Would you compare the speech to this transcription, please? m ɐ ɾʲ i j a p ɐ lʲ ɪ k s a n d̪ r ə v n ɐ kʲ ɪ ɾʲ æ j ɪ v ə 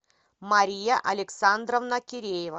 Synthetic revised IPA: m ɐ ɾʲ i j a ʔ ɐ lʲ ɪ k s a n d̪ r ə v n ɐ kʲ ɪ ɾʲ e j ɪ v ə